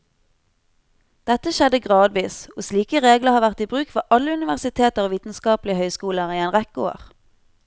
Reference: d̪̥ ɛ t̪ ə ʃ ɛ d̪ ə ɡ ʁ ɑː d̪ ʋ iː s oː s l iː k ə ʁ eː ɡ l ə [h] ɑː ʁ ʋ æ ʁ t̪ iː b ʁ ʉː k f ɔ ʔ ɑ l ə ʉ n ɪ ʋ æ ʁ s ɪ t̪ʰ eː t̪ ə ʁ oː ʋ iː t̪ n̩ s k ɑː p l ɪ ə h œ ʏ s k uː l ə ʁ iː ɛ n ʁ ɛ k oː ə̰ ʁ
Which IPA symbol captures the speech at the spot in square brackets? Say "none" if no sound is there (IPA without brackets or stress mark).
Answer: h